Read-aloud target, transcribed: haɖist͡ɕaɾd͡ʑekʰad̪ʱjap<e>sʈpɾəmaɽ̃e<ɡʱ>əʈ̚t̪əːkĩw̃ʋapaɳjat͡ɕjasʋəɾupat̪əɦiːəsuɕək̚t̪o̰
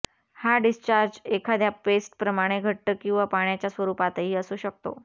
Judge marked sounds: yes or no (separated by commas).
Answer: yes, yes